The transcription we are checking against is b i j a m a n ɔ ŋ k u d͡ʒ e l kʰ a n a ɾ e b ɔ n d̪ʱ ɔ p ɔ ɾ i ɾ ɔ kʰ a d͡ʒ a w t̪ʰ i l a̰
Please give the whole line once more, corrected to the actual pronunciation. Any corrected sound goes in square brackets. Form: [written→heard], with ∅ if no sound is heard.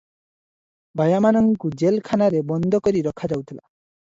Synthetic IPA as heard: b [i→a] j a m a n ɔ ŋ k u d͡ʒ e l kʰ a n a ɾ e b ɔ n d̪ʱ ɔ [p→k] ɔ ɾ i ɾ ɔ kʰ a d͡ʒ a w t̪ʰ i l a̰